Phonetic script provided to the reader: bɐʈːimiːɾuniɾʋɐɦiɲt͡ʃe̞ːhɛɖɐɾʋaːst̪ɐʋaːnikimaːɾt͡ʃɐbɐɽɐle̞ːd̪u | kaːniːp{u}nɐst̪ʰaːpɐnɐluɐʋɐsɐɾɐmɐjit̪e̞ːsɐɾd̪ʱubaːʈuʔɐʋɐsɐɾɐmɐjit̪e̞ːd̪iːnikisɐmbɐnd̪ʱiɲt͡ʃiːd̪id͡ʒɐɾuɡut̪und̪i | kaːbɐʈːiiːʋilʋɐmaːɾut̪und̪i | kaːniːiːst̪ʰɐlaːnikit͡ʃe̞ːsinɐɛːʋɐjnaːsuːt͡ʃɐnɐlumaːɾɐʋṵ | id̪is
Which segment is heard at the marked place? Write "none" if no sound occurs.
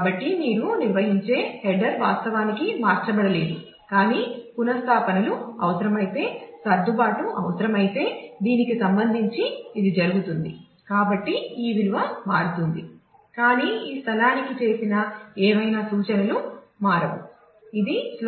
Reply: u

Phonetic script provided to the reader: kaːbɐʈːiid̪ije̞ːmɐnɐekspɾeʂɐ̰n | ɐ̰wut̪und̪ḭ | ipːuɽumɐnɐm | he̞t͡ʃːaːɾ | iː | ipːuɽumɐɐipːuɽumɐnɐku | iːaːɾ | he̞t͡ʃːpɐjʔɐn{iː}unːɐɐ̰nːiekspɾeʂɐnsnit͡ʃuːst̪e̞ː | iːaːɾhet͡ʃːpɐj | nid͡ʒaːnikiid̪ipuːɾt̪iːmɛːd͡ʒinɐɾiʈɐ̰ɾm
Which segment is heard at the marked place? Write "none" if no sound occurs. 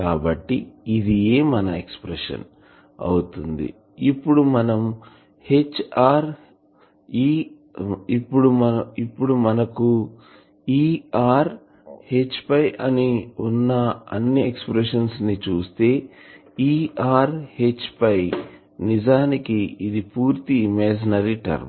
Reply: i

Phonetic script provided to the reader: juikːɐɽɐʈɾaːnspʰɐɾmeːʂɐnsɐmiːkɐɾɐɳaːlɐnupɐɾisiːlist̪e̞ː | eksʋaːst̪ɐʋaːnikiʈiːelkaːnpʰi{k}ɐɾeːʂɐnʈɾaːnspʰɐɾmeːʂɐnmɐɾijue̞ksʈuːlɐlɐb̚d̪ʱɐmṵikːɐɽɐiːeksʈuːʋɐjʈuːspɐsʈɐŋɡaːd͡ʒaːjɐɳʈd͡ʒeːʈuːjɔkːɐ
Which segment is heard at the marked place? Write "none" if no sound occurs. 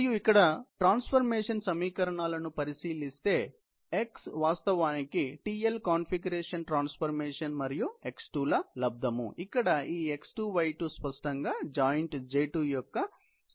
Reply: ɡ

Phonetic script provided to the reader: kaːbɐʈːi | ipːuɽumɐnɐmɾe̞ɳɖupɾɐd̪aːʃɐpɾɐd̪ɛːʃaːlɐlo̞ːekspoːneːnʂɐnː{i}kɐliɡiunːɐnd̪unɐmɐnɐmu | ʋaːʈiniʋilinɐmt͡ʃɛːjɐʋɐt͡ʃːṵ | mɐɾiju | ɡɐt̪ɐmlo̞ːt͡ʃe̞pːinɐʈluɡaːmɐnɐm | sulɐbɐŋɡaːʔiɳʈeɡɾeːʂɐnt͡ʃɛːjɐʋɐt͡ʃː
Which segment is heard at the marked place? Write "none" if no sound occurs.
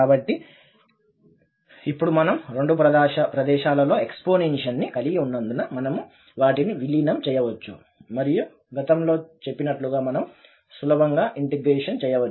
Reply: i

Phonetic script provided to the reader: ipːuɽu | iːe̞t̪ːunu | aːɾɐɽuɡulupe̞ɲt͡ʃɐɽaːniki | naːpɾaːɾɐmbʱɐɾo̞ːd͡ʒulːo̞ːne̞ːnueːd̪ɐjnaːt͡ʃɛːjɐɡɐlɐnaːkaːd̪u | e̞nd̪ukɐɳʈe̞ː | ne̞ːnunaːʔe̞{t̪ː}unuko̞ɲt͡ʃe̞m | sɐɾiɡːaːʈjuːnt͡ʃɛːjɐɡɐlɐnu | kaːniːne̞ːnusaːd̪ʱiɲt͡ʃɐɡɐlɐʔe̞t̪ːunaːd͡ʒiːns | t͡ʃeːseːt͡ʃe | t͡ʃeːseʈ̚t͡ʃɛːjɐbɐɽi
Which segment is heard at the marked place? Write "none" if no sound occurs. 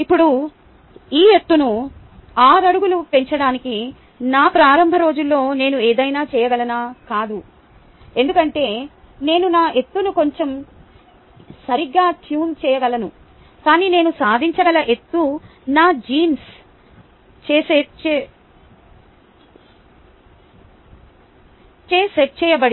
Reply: t̪ː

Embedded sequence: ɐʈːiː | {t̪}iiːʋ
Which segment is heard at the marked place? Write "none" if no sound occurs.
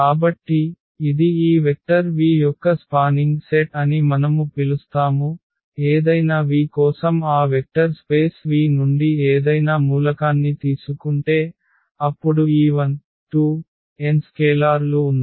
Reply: d̪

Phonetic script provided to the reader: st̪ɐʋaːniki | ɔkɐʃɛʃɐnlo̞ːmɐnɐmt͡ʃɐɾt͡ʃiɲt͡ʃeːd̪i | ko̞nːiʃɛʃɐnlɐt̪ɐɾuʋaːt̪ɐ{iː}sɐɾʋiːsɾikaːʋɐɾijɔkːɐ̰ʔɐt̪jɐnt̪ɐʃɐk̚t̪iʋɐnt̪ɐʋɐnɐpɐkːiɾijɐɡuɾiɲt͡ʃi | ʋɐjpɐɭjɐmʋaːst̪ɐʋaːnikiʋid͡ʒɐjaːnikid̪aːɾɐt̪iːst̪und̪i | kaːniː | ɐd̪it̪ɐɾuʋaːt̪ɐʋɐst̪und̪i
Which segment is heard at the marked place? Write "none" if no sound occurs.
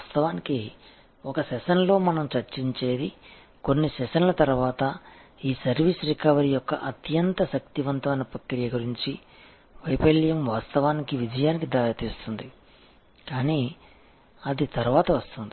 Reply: iː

